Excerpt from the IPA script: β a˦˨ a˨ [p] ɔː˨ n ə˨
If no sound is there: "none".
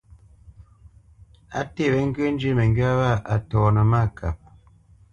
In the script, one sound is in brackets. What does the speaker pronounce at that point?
t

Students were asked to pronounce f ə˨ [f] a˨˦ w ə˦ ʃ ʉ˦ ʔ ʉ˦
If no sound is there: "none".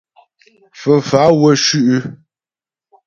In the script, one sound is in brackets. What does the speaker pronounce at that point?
f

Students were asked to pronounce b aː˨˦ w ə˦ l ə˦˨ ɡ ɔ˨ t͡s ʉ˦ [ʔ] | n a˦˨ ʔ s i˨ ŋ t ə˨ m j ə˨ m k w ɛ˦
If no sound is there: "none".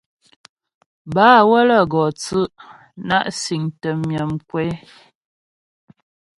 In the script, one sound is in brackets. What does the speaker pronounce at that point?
ʔ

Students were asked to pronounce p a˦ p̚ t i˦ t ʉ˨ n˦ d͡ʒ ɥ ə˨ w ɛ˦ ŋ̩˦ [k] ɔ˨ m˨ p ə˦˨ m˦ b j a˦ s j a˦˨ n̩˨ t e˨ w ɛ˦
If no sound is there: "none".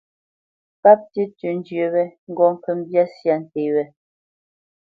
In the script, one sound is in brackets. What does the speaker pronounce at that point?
ɡ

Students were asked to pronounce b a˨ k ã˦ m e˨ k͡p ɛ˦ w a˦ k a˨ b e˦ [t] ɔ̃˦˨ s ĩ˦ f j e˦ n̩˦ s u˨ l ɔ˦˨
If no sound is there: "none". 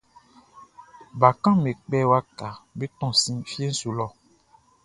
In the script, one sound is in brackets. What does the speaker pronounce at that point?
t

